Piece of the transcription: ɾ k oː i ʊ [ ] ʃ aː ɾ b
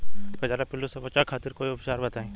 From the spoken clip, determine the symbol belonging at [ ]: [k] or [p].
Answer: p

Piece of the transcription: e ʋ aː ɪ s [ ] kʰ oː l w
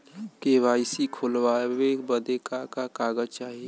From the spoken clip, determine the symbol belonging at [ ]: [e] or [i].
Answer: i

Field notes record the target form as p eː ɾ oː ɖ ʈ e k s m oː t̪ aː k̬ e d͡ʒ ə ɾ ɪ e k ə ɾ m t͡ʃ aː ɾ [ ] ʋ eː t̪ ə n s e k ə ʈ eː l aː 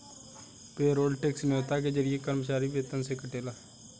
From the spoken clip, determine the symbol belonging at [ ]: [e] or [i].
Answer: i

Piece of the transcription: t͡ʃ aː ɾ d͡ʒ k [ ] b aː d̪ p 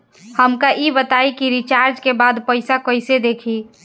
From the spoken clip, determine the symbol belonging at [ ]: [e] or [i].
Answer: e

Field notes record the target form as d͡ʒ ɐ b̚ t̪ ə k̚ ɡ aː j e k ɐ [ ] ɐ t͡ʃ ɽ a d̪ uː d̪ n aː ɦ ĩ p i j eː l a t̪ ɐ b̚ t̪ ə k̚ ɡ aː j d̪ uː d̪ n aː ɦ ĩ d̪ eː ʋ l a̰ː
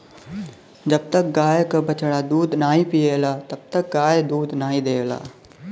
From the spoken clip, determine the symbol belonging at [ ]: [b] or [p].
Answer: b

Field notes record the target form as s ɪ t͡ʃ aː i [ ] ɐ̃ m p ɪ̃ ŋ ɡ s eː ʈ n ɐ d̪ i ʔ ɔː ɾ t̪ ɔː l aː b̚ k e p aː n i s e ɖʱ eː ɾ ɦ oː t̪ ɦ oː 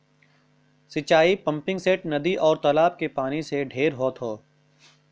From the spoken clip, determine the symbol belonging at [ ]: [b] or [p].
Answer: p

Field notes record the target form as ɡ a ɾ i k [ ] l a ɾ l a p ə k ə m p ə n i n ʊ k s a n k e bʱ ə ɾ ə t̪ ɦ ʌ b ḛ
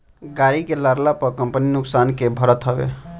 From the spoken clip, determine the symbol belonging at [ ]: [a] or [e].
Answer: e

